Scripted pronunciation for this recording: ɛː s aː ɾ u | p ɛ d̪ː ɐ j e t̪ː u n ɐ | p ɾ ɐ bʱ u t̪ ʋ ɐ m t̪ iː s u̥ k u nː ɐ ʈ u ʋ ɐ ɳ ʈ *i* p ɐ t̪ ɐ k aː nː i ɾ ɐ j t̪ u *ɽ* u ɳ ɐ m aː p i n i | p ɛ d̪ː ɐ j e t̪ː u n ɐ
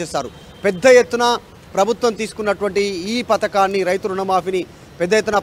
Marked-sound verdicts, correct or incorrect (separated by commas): incorrect, incorrect